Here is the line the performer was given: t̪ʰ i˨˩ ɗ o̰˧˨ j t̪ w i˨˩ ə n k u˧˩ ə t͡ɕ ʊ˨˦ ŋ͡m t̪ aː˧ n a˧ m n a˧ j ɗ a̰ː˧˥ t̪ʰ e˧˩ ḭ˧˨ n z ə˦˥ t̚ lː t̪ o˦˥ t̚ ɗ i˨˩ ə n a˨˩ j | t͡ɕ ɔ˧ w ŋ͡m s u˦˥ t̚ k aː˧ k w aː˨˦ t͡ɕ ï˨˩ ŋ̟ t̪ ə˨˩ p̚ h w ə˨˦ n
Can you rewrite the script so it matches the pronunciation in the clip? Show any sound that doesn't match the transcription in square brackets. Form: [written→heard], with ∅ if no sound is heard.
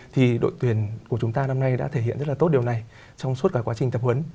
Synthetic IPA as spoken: t̪ʰ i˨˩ ɗ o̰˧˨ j t̪ w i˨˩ ə n k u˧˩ ə t͡ɕ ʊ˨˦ ŋ͡m t̪ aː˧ n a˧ m n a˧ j ɗ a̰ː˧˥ t̪ʰ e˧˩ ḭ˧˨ n z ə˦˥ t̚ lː t̪ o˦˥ t̚ ɗ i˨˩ ə n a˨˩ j | t͡ɕ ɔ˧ w ŋ͡m s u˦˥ t̚ k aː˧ k w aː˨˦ t͡ɕ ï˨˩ ŋ̟ t̪ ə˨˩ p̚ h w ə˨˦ n